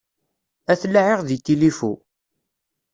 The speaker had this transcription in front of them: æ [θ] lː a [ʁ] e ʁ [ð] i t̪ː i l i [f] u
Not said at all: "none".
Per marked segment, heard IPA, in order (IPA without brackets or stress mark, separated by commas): θ, ʕ, ð, f